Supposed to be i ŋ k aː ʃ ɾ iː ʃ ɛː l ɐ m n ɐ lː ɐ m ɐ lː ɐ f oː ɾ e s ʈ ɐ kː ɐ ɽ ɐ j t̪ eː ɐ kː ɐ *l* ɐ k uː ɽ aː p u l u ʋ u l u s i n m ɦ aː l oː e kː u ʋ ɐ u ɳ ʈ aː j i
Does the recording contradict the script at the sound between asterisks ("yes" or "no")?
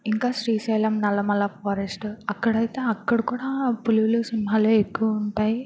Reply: yes